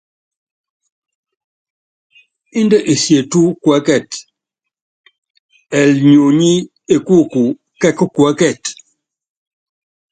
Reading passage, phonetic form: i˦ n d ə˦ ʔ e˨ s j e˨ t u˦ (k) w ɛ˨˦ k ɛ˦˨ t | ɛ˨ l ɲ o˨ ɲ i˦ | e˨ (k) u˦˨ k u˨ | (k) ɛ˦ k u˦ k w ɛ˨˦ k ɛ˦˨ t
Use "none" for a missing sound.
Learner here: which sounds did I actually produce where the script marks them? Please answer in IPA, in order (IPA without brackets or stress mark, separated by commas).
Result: k, k, k